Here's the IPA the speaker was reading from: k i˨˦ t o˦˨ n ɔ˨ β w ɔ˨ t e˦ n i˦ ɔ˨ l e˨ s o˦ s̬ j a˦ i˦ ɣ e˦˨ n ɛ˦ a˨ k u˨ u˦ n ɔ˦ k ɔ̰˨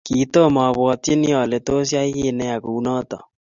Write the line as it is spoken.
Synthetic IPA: k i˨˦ t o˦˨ m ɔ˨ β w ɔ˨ t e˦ n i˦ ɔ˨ l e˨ t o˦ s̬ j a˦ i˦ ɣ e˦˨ n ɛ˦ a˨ k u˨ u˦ n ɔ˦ t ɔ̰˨